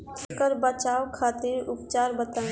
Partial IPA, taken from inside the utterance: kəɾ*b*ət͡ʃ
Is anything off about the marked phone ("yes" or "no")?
no